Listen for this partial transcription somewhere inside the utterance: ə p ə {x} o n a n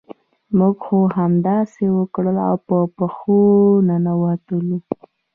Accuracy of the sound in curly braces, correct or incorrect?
correct